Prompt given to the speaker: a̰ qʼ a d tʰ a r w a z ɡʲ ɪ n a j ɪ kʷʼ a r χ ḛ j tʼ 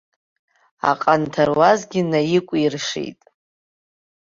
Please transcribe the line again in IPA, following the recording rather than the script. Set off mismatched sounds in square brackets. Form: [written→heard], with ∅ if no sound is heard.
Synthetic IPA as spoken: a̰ qʼ a [d→n] tʰ a r w a z ɡʲ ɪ n a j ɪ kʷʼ [a→i] r [χ→ʂ] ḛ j tʼ